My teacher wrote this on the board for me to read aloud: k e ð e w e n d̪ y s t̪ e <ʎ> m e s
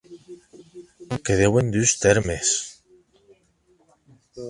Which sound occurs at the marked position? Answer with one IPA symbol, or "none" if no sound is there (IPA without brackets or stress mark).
ɾ